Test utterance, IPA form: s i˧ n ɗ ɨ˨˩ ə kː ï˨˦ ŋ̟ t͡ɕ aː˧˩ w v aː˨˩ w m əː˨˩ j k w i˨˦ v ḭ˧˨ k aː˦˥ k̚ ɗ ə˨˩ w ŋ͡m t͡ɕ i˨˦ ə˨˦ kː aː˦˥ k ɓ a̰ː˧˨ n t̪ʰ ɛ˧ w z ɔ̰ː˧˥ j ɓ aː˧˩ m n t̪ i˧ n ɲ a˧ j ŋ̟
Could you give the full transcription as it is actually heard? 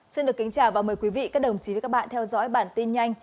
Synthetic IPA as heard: s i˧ n ɗ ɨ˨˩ ə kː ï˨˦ ŋ̟ t͡ɕ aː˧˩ w v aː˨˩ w m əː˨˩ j k w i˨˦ v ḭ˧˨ k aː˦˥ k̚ ɗ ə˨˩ w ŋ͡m t͡ɕ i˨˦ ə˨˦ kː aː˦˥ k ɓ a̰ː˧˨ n t̪ʰ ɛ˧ w z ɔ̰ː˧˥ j ɓ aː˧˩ n t̪ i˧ n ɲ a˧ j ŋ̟